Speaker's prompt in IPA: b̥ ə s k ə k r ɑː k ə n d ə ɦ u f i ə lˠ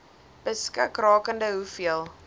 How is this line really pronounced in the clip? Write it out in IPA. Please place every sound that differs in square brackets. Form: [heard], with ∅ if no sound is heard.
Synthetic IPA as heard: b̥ ə s k ə k r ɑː k ə n d ə ɦ u f i ə lˠ